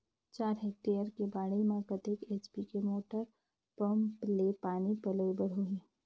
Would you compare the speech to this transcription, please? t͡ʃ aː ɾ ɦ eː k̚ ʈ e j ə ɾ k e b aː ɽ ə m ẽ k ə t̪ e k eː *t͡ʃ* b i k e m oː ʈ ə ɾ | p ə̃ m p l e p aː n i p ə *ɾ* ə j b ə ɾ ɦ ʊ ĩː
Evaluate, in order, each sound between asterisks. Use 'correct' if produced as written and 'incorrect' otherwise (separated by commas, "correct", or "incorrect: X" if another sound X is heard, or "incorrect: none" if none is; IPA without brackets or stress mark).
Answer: correct, incorrect: l